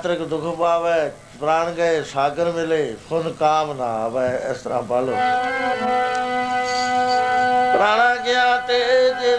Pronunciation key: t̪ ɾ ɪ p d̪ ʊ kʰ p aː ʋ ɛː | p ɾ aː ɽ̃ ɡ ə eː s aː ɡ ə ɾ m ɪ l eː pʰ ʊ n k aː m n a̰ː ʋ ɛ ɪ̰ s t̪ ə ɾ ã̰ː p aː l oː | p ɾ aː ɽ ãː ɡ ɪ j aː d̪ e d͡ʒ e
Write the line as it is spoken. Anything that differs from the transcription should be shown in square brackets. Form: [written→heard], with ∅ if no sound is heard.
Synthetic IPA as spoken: t̪ ɾ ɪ [p→k] d̪ ʊ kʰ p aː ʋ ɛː | p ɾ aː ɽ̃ ɡ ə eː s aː ɡ ə ɾ m ɪ l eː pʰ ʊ n k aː m n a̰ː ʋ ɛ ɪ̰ s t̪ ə ɾ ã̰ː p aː l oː | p ɾ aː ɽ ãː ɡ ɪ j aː [d̪→t̪] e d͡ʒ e